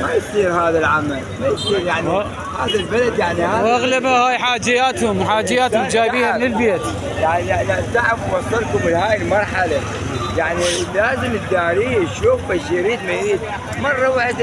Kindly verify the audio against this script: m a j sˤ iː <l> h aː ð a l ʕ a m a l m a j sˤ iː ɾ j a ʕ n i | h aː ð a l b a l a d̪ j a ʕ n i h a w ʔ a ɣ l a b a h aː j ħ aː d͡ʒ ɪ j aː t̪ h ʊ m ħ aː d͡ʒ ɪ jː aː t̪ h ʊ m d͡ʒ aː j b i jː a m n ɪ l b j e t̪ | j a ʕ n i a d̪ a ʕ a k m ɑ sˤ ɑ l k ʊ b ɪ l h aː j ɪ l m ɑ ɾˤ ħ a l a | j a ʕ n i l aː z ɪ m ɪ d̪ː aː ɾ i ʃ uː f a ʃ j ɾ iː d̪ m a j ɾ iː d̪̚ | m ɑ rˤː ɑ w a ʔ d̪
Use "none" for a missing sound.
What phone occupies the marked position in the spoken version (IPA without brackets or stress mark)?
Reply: ɾ